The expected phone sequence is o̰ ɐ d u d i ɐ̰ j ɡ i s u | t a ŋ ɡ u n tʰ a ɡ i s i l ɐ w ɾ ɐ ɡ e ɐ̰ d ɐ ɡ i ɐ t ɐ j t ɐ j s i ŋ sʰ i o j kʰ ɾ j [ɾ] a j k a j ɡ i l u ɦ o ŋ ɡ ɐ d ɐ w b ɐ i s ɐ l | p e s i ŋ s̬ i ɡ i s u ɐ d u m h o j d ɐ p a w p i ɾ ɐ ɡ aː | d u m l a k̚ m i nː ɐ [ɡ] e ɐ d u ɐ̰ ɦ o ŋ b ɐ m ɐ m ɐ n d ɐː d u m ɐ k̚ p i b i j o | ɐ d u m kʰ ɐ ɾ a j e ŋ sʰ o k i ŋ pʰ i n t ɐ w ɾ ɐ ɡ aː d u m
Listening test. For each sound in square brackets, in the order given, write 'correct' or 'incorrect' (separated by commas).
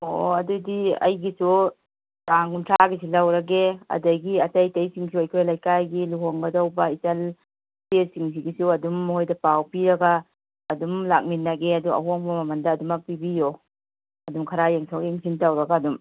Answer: incorrect, correct